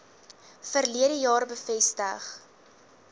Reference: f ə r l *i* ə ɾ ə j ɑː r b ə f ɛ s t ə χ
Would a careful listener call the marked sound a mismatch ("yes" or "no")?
no